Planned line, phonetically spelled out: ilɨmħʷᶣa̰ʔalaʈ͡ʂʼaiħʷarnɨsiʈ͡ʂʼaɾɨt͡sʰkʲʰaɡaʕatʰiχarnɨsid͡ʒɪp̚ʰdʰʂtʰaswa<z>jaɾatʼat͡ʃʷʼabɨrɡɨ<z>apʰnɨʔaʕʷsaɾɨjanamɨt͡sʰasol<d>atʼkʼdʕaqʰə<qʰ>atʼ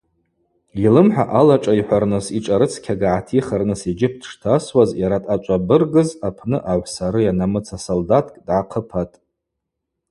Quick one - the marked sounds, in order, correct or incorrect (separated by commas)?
correct, correct, correct, incorrect